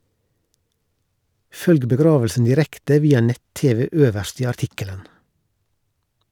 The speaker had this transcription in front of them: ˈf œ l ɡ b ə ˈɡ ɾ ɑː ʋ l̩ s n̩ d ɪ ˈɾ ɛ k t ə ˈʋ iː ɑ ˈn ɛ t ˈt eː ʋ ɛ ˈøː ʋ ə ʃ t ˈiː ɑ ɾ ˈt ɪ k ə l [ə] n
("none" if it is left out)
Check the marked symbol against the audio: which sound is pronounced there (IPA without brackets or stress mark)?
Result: ə